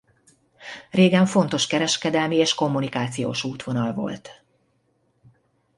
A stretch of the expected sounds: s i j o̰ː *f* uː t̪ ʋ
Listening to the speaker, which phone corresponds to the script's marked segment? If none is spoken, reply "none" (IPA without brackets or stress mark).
ʃ